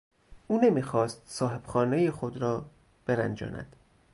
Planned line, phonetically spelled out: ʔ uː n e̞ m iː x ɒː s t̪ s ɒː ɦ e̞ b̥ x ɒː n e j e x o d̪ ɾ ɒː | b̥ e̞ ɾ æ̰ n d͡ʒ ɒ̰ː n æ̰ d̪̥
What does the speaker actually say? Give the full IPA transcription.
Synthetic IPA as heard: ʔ uː n e̞ m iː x ɒː s t̪ s ɒː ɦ e̞ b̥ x ɒː n e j e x o d̪ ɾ ɒː | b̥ e̞ ɾ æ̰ n d͡ʒ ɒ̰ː n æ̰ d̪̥